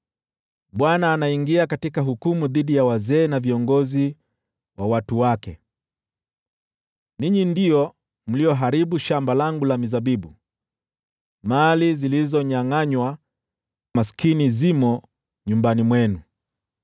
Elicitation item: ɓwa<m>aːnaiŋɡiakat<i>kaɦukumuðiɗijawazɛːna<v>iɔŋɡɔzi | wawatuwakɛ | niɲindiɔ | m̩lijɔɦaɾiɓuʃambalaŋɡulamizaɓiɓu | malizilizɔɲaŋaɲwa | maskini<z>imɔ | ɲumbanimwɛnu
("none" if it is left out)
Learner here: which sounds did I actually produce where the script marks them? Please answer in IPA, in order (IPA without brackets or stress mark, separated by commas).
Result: n, i, v, z